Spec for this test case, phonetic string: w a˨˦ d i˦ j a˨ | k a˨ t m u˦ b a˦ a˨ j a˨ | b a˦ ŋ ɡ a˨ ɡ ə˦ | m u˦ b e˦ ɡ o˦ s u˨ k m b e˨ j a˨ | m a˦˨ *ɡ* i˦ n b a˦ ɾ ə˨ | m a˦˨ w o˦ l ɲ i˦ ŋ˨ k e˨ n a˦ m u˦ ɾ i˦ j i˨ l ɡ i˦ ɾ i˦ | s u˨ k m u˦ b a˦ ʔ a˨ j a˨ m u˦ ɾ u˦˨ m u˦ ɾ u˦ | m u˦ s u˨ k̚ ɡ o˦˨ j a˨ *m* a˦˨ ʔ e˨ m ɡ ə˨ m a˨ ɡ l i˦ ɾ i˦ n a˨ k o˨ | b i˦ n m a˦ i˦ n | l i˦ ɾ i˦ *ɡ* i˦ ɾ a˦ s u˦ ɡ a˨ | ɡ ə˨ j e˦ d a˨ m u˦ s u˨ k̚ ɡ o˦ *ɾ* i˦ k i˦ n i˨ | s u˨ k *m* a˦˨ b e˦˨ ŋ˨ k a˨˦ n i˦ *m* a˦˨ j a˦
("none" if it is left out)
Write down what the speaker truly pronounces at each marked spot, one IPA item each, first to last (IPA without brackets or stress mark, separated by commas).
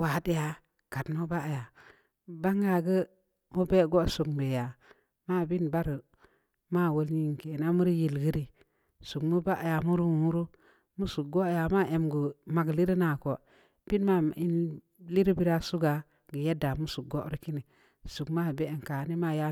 b, m, b, ɾ, m, m